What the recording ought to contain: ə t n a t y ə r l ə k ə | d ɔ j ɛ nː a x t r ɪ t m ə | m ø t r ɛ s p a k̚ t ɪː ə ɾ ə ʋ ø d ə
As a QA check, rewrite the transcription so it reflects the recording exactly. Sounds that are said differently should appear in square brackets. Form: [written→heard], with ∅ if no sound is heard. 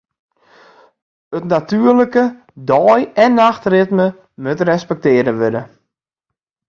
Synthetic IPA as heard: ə t n a t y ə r l ə k ə | d ɔ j ɛ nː a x t r ɪ t m ə | m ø t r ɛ s p [a→ɛ] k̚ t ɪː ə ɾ ə ʋ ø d ə